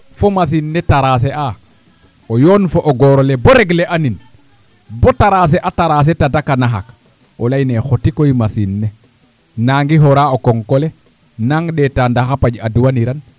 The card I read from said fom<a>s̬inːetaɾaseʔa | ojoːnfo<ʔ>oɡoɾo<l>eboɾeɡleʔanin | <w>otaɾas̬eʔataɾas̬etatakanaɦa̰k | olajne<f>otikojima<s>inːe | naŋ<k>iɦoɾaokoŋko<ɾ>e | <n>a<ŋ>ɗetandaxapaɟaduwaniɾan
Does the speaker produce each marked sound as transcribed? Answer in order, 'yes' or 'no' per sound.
yes, yes, yes, no, no, yes, no, no, yes, yes

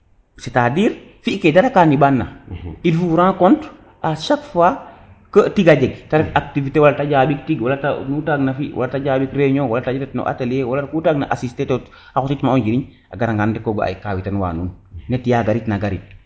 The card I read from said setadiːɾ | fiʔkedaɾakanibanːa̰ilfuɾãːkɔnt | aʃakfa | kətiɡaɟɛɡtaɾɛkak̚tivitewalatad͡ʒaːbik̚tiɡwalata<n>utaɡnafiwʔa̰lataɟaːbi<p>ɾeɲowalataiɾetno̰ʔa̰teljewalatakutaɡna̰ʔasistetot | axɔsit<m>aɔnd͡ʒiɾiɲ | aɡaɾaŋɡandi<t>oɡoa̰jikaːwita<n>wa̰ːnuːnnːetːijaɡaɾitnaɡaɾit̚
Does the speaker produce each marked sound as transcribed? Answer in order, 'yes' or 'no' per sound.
yes, no, yes, no, yes

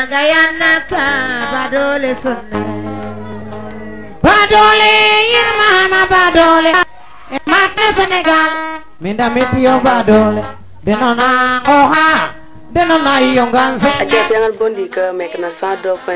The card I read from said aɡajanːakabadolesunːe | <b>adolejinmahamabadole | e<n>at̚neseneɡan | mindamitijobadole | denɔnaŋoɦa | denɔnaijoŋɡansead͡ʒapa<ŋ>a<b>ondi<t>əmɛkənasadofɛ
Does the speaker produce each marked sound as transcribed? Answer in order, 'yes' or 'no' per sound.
yes, no, yes, yes, no

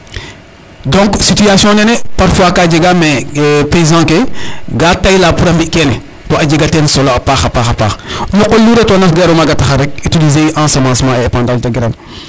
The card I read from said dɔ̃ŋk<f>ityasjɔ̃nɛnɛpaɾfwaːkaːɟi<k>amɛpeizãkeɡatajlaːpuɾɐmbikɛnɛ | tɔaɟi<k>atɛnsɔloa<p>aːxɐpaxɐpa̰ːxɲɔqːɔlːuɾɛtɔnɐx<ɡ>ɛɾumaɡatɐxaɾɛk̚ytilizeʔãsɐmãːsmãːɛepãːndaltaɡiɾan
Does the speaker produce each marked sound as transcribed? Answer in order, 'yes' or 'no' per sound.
no, no, no, yes, yes

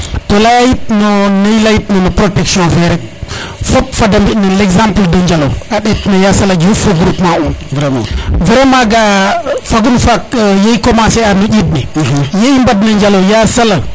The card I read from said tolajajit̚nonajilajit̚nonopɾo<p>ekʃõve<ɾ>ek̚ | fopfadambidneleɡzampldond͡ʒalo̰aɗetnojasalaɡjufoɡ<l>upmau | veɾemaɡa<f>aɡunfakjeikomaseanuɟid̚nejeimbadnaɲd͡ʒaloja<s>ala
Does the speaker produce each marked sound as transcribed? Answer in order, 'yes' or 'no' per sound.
no, yes, no, yes, yes

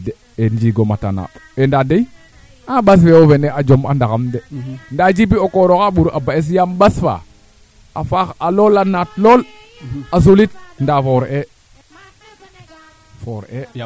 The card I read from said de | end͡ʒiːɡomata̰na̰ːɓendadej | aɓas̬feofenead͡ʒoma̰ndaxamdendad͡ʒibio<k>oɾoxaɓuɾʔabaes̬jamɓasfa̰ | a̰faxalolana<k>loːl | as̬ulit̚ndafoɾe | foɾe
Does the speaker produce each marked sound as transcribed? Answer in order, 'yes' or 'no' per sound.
yes, no

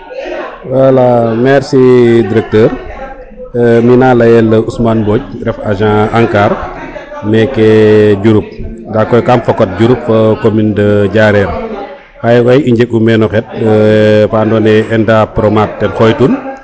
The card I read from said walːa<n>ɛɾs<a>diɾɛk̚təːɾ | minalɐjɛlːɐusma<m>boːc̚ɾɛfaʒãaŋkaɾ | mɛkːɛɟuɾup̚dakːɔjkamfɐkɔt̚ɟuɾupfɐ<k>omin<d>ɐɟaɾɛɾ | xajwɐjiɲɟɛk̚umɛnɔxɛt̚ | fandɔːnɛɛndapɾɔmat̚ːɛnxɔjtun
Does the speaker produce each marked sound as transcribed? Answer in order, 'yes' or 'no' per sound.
no, no, no, yes, yes

